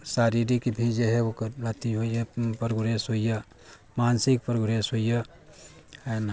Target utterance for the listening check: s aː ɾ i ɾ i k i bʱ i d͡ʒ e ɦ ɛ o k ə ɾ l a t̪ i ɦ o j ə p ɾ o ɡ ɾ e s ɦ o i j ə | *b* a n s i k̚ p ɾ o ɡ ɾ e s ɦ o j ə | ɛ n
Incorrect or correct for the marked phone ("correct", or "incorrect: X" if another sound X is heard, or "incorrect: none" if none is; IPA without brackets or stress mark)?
incorrect: m